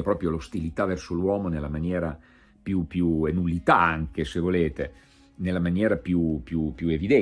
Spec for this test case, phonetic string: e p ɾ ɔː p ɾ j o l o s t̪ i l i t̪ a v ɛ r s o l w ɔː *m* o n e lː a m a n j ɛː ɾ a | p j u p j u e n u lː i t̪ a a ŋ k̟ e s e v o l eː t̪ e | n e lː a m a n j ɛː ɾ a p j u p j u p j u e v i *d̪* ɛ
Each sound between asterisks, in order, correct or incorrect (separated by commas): correct, correct